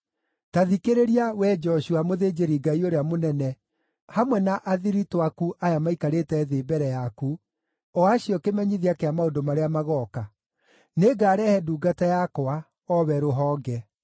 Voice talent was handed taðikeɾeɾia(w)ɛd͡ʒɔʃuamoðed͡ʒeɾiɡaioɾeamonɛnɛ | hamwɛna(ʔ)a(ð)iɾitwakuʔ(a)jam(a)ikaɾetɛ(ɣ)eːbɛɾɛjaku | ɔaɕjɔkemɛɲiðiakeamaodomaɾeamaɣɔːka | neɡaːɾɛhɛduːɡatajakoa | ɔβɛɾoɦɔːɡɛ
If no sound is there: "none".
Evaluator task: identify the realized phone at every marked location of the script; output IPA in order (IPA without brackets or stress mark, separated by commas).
w, ʔ, ð, a, a, ð